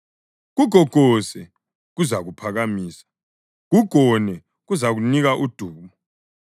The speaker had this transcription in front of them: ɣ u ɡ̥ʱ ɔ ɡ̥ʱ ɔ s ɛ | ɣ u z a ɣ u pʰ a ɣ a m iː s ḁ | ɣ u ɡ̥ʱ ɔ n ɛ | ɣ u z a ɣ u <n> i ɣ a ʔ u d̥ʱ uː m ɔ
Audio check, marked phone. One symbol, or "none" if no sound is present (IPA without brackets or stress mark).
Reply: n